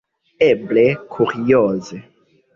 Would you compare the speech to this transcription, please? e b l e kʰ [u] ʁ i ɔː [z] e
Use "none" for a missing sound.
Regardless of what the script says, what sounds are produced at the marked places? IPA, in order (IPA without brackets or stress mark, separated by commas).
u, z